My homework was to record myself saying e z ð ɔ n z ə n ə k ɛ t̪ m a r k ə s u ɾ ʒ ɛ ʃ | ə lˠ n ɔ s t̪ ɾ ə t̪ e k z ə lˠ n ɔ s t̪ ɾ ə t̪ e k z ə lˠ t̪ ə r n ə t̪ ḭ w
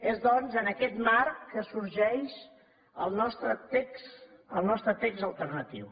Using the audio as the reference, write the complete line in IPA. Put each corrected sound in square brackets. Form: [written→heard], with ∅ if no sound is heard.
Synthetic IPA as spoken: e z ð ɔ n z ə n ə k ɛ t̪ m a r k ə s u ɾ ʒ ɛ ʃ | ə lˠ n ɔ s t̪ ɾ ə t̪ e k [z→s] ə lˠ n ɔ s t̪ ɾ ə t̪ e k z ə lˠ t̪ ə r n ə t̪ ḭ w